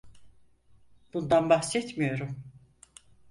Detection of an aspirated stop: absent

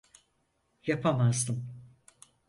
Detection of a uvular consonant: absent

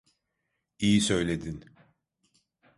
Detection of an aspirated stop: absent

